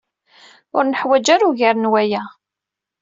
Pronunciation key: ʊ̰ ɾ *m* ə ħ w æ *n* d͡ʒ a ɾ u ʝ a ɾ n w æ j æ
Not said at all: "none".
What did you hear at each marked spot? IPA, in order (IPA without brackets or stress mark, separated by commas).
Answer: n, none